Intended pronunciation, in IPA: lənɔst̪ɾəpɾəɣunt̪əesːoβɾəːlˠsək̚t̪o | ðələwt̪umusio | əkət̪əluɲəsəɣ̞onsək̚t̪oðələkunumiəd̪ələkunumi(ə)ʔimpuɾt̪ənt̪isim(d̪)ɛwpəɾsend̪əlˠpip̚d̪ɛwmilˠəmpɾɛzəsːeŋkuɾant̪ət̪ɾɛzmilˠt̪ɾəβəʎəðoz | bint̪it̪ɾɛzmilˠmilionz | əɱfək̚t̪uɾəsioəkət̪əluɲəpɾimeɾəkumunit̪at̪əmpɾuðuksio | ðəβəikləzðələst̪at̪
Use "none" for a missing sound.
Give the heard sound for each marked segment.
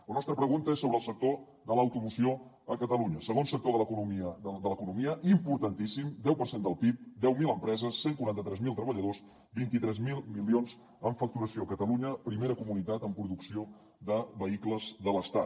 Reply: ə, d̪

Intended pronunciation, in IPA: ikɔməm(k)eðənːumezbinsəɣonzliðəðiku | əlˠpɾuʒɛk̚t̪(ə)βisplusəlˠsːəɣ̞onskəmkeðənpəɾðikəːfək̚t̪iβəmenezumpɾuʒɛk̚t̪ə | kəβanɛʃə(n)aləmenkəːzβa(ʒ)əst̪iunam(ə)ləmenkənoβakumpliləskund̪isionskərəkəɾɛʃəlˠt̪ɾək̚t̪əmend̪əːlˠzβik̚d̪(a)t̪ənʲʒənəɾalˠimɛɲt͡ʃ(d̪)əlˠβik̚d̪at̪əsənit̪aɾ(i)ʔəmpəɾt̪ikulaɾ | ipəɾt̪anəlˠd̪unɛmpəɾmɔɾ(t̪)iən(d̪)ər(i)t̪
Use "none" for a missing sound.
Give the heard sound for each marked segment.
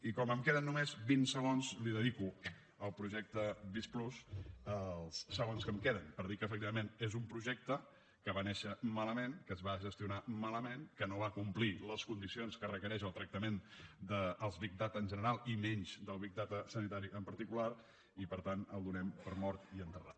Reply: k, ə, m, ʒ, a, a, d̪, i, t̪, t̪, a

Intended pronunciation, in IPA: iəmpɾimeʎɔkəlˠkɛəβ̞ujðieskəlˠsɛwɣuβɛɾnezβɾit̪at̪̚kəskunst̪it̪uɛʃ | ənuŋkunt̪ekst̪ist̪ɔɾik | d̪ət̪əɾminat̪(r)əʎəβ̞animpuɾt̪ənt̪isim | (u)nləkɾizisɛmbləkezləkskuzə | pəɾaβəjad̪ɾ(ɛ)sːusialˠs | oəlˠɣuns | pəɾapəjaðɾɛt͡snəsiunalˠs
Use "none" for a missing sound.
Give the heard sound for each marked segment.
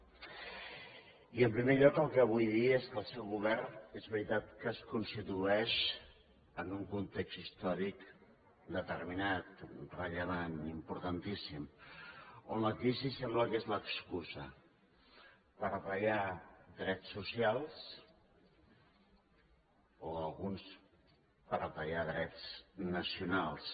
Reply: r, o, ɛ

